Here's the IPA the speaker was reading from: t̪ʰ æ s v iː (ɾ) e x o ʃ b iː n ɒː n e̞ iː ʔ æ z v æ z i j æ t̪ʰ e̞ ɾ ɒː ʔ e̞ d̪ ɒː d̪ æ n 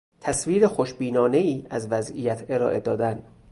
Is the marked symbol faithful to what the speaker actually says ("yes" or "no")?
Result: yes